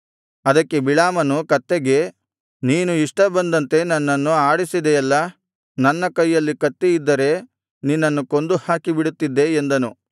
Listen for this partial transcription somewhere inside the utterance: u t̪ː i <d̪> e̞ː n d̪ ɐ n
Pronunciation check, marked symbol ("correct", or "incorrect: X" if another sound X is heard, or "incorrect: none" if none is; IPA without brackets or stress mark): incorrect: d̪ː